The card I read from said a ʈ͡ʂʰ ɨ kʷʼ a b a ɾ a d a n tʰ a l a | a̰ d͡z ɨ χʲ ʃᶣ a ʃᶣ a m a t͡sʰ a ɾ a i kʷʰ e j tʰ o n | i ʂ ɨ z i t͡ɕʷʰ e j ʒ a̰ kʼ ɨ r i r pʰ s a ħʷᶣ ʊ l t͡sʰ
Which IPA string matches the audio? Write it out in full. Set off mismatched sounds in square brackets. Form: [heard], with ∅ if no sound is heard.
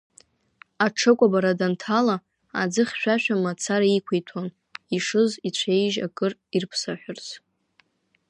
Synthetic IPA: a ʈ͡ʂʰ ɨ kʷʼ a b a ɾ a d a n tʰ a l a | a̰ d͡z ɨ χʲ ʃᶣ a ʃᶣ a m a t͡sʰ a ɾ a i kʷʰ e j tʰ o n | i ʂ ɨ z i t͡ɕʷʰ e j ʒ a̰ kʼ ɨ r i r pʰ s a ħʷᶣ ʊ [r] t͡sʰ